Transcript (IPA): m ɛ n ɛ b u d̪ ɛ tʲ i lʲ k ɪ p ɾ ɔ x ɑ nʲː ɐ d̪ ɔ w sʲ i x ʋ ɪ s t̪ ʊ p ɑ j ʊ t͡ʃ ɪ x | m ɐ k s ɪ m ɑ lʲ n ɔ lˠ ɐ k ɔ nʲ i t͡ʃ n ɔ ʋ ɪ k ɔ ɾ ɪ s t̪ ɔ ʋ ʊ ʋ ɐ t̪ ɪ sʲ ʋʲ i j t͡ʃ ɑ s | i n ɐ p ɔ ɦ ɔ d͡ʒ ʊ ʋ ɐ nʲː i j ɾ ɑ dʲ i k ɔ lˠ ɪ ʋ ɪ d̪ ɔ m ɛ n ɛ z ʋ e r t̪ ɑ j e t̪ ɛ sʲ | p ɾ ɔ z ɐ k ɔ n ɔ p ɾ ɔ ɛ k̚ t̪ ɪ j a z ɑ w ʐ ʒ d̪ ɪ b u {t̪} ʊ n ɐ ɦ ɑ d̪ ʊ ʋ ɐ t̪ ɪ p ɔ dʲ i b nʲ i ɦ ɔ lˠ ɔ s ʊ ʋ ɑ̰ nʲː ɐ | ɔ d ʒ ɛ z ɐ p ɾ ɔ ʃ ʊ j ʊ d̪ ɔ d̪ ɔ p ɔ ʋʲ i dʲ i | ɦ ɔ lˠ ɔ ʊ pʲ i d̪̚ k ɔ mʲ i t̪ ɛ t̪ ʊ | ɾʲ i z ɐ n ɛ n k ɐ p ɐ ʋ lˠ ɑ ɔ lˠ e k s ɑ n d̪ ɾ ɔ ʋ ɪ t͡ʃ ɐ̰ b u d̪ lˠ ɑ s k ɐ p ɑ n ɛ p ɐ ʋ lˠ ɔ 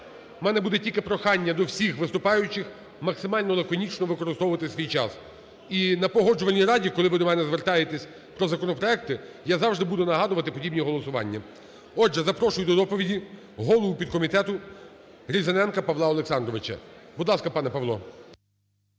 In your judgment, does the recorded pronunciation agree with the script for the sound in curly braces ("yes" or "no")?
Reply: no